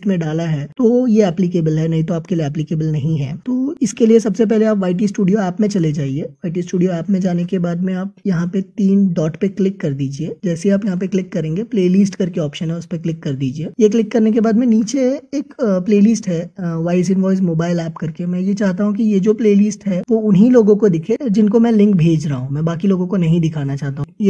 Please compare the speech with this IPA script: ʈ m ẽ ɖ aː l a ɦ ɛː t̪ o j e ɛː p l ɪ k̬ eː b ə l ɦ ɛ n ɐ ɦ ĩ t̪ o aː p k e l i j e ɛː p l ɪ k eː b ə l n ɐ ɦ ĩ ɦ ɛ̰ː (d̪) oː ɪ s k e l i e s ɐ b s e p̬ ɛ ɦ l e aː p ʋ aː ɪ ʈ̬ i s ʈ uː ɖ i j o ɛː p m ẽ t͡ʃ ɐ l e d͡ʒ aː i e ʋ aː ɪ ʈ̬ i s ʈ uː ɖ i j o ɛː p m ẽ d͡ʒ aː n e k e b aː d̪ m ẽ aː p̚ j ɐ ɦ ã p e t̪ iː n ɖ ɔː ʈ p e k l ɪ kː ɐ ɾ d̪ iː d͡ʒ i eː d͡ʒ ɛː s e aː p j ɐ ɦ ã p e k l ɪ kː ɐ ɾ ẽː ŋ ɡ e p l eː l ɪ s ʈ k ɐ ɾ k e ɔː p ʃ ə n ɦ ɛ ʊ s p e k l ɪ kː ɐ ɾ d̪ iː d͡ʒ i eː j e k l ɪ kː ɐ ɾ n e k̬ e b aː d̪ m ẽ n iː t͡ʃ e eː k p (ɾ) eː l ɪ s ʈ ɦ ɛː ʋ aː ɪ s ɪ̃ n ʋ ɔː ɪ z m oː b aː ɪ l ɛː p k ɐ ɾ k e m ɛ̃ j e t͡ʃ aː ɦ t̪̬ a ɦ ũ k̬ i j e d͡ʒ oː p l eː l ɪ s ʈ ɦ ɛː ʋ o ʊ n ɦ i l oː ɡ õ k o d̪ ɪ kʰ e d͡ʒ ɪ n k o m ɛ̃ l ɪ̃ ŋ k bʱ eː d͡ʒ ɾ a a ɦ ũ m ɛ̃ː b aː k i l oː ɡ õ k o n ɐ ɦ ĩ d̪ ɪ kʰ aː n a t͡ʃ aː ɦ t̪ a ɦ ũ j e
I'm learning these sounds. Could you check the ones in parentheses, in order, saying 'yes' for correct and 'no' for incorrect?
no, no

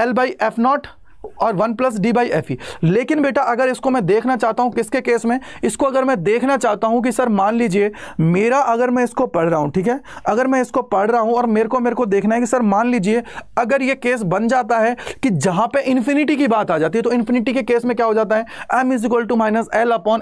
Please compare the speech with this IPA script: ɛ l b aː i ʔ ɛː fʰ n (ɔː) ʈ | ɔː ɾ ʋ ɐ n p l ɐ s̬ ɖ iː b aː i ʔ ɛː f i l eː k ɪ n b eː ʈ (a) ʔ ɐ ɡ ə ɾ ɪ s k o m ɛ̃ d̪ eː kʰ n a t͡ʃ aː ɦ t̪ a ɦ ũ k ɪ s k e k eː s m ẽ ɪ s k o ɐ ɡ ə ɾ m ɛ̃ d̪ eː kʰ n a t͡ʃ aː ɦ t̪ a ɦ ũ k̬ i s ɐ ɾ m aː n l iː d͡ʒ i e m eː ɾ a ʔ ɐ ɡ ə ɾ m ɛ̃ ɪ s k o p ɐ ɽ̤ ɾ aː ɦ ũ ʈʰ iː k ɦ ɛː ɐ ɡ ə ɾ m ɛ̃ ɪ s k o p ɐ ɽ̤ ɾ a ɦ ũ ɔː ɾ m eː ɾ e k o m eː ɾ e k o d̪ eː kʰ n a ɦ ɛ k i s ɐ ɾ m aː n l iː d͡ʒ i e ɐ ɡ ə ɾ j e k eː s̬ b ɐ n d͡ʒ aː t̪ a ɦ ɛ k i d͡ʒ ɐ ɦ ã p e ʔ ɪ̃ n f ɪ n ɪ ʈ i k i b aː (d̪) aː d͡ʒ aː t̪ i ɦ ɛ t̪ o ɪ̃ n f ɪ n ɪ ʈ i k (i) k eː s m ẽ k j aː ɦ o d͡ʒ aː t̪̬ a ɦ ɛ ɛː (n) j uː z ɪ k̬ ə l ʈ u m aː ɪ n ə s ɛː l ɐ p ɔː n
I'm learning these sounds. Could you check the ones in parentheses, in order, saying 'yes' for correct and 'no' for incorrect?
yes, yes, no, no, no

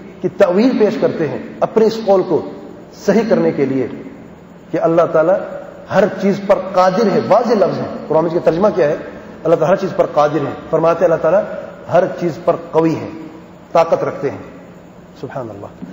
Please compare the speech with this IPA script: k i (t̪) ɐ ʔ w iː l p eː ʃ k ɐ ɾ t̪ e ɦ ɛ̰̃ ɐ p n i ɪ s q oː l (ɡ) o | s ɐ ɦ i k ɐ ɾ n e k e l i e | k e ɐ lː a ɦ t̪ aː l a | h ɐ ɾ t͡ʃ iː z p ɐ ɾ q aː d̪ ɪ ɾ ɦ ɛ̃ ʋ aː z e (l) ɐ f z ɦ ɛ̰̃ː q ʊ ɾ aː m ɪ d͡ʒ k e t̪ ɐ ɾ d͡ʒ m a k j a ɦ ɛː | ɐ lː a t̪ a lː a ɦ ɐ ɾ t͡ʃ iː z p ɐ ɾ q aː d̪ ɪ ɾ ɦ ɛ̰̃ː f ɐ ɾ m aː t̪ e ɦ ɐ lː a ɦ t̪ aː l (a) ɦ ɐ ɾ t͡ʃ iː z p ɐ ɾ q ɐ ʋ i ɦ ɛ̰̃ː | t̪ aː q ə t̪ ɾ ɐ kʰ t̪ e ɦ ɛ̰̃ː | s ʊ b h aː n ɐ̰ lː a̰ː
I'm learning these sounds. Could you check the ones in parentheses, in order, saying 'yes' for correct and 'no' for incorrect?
yes, no, yes, yes

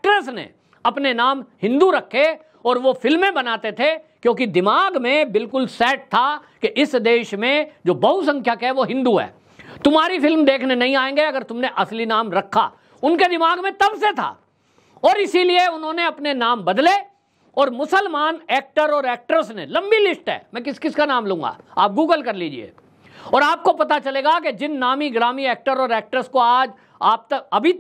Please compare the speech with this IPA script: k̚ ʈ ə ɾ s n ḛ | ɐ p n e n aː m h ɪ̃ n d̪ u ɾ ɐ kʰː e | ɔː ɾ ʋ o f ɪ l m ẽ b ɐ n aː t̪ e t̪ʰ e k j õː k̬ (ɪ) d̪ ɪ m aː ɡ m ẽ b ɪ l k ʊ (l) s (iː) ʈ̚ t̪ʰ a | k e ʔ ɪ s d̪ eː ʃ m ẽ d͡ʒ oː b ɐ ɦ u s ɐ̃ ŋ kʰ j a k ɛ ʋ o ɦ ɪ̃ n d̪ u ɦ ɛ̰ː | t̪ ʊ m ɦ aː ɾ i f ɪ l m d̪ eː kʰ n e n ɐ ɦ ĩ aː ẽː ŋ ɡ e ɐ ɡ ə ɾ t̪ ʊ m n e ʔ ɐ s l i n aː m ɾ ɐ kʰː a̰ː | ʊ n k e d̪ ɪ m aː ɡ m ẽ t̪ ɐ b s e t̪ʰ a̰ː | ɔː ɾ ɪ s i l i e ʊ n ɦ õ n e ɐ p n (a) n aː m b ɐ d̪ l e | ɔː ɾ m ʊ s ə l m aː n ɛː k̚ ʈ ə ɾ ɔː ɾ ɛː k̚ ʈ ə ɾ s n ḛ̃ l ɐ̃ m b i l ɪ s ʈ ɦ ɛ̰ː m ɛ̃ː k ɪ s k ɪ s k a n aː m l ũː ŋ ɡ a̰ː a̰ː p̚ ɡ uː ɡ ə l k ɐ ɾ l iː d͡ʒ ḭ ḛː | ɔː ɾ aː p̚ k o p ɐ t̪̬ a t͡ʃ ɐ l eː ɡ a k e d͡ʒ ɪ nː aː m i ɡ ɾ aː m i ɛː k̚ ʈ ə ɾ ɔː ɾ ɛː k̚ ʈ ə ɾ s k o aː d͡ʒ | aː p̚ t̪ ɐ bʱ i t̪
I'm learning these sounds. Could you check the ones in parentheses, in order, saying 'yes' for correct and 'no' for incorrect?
no, yes, no, no

